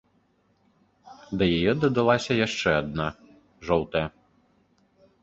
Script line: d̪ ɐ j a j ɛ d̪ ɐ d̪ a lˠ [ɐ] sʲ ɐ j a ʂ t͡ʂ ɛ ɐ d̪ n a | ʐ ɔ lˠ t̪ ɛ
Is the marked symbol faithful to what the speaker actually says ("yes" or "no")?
no